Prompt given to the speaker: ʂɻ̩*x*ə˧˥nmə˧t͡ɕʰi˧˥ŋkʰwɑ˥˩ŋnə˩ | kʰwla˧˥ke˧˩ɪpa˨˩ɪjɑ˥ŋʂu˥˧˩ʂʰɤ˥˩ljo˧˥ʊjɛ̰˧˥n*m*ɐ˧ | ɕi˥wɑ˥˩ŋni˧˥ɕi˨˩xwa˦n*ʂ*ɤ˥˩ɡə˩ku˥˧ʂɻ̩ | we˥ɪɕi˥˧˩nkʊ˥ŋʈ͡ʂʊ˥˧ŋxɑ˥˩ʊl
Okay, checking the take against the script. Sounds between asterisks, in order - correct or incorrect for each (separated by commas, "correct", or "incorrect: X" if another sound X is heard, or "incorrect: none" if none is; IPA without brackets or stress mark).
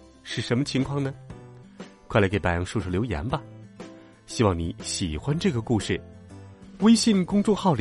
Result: incorrect: ʂ, incorrect: b, incorrect: ʈ͡ʂ